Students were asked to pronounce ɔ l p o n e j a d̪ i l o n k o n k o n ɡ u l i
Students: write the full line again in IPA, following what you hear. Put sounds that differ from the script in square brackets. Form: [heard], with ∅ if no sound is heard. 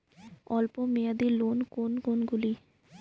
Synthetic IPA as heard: ɔ l p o [m] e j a d̪ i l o n k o n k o n ɡ u l i